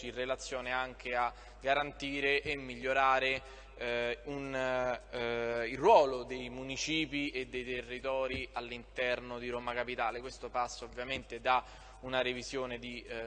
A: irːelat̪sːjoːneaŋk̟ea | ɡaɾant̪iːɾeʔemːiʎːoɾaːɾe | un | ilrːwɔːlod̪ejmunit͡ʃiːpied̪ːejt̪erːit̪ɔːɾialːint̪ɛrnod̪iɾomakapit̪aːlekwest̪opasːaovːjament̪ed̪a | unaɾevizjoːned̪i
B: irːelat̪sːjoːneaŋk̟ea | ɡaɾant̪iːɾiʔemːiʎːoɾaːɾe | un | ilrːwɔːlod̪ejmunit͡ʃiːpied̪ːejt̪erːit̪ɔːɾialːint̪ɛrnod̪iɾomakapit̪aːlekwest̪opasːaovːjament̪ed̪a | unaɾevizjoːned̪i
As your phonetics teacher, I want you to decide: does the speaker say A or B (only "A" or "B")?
A